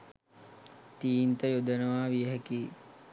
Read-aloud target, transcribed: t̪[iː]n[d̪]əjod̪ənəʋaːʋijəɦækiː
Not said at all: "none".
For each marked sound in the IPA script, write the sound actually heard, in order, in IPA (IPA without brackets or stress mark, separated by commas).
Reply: iː, t̪